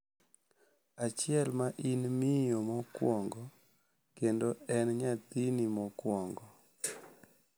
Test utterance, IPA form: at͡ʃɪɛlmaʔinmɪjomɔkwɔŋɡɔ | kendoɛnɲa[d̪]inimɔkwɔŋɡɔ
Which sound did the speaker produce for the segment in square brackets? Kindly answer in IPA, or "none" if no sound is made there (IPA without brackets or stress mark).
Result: t̪